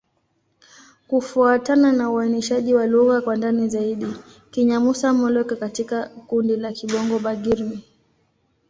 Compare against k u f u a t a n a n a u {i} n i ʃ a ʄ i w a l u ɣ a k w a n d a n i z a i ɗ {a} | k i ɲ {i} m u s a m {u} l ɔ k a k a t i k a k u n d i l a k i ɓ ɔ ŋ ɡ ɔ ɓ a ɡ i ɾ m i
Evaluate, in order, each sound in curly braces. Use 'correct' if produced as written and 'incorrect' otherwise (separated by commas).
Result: incorrect, incorrect, incorrect, incorrect